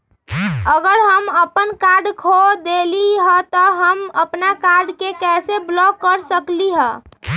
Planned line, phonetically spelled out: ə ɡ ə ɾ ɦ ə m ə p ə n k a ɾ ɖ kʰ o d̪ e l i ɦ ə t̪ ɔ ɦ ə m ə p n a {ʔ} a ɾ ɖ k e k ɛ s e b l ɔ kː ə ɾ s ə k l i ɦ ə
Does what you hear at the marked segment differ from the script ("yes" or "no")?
yes